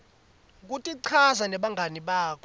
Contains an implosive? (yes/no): yes